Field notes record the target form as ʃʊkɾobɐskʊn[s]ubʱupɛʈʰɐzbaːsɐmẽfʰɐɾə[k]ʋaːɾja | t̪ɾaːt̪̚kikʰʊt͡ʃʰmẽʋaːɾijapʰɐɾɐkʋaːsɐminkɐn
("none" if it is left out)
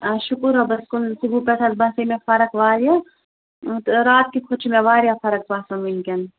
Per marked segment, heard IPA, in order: s, k

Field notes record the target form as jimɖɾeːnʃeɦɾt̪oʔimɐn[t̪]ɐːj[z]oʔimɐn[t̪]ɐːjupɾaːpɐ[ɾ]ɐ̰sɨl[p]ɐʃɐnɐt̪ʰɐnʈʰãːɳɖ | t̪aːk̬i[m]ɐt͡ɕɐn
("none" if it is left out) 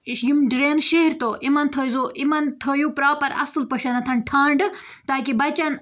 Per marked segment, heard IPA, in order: t̪ʰ, z, t̪ʰ, ɾ, p, b

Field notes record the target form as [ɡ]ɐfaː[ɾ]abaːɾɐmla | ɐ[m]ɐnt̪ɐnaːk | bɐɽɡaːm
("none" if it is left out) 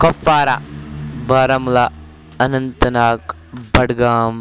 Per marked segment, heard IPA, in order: k, ɾ, n

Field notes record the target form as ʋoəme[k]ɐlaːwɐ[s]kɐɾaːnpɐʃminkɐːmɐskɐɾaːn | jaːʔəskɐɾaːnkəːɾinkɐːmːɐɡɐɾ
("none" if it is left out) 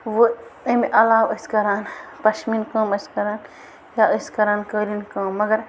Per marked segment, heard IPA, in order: ʔ, s

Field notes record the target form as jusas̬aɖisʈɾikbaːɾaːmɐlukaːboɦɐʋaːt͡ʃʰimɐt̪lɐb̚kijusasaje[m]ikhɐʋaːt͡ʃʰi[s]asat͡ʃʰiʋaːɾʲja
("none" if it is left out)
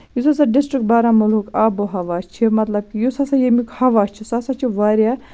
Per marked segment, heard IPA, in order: m, s

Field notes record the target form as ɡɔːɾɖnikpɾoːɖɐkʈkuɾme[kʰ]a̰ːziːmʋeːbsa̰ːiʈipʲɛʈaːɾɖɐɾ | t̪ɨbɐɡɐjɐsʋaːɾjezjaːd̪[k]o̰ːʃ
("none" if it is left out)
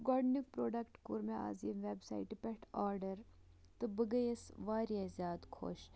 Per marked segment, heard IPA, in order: none, kʰ

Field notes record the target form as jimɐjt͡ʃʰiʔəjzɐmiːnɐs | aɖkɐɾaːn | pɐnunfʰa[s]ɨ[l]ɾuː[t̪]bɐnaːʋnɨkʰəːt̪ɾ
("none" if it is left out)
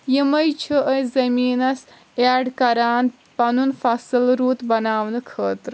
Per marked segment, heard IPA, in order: s, l, t̪

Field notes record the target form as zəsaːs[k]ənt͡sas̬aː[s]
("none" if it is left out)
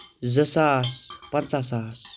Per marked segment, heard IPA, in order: p, s

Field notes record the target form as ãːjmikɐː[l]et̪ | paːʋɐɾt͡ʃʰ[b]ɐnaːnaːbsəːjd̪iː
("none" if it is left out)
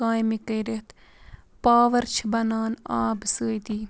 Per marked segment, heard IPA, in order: ɾ, b

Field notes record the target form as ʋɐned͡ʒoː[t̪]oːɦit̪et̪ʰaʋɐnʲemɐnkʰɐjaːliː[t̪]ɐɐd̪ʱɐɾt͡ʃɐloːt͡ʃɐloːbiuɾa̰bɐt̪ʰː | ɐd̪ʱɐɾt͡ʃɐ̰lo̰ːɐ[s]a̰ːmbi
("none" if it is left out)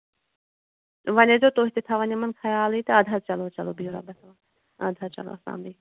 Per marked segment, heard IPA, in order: t̪, t̪, s

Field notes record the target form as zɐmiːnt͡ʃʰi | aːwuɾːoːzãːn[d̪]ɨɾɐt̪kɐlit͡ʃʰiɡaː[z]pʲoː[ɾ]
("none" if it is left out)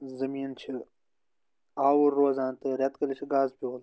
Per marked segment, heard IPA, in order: t̪, z, l

